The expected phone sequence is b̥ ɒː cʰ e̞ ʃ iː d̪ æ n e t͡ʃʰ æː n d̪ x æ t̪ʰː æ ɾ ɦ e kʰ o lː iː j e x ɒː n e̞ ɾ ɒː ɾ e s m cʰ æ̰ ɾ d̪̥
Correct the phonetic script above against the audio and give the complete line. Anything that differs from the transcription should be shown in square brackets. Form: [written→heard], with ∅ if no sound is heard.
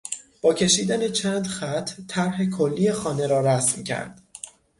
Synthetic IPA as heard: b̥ ɒː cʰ e̞ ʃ iː d̪ æ n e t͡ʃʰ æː n d̪ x æ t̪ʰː æ ɾ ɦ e kʰ o lː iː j e x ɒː n e̞ ɾ ɒː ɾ [e→æ] s m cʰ æ̰ ɾ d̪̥